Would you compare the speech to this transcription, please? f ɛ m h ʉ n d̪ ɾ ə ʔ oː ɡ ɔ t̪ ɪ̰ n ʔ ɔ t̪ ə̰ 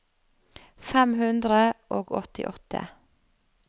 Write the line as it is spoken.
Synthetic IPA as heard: f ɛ m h ʉ n d̪ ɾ ə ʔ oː ɡ ɔ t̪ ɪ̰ ʔ ɔ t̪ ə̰